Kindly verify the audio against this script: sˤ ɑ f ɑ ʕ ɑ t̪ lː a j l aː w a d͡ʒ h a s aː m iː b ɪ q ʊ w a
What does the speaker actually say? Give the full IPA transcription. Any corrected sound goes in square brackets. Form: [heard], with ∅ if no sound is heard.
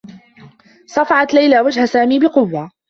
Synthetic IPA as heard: sˤ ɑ f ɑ ʕ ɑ t̪ [l] a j l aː w a d͡ʒ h a s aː m iː b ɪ q ʊ [wː] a